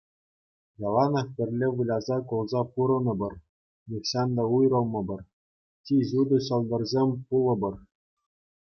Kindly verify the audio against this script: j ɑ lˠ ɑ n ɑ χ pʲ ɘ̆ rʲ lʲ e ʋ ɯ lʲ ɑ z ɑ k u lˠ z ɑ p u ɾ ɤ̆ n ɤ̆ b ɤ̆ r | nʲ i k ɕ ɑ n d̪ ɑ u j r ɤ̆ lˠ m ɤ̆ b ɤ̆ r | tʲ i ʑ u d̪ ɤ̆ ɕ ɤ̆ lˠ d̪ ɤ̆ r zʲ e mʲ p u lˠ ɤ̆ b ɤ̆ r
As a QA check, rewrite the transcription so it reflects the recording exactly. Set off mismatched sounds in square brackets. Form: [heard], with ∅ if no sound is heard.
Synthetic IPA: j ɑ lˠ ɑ n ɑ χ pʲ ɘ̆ rʲ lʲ e ʋ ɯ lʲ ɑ z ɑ k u lˠ z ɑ p u ɾ ɤ̆ n ɤ̆ b ɤ̆ r | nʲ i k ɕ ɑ n d̪ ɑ u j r ɤ̆ lˠ m ɤ̆ b ɤ̆ r | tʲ i ʑ u d̪ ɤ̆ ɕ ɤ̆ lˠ d̪ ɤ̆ r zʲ e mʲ p u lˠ ɤ̆ b ɤ̆ r